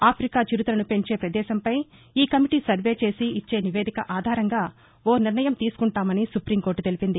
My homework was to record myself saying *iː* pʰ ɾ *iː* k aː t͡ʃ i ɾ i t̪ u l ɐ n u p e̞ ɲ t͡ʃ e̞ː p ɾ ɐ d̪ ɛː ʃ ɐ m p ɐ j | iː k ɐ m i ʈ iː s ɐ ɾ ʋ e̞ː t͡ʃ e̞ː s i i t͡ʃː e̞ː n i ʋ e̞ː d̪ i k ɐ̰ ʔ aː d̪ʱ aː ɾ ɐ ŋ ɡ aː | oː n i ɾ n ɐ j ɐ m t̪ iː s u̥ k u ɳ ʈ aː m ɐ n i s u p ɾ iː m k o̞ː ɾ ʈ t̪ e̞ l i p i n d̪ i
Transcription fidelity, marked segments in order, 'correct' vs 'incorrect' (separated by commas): incorrect, incorrect